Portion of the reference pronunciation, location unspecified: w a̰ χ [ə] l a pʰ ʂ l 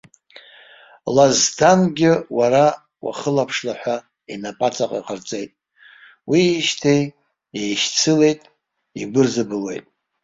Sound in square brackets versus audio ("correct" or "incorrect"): correct